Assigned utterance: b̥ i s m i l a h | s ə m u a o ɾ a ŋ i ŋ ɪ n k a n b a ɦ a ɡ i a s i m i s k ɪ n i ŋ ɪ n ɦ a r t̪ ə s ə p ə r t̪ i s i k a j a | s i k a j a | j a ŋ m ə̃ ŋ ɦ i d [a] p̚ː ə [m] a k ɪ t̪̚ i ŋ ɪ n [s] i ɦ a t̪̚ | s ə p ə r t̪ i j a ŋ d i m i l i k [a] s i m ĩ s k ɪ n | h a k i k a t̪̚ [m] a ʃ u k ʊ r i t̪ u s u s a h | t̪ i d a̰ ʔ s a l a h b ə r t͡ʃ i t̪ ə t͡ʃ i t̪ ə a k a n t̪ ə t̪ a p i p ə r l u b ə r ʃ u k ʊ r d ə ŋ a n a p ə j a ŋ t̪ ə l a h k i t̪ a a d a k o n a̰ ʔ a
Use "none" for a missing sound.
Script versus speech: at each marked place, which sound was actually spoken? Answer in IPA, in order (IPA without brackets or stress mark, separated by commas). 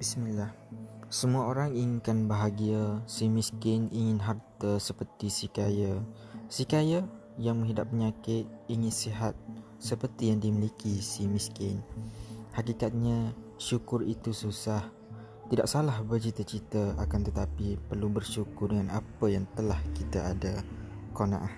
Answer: a, ɲ, s, i, ɲ